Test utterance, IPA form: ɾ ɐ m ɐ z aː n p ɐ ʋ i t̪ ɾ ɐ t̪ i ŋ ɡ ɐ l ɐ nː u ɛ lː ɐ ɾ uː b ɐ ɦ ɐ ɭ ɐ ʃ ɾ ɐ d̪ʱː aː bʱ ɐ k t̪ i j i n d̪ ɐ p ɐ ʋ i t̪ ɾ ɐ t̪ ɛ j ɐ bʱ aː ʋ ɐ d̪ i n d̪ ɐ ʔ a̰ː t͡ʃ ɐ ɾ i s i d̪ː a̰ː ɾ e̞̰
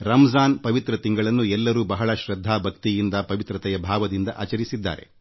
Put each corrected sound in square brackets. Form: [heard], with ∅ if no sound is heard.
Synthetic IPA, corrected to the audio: ɾ ɐ m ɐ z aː n p ɐ ʋ i t̪ ɾ ɐ t̪ i ŋ ɡ ɐ [ɭ] ɐ nː u ɛ lː ɐ ɾ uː b ɐ ɦ ɐ ɭ ɐ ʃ ɾ ɐ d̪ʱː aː bʱ ɐ k t̪ i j i n d̪ ɐ p ɐ ʋ i t̪ ɾ ɐ t̪ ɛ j ɐ bʱ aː ʋ ɐ d̪ i n d̪ ɐ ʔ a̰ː t͡ʃ ɐ ɾ i s i d̪ː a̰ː ɾ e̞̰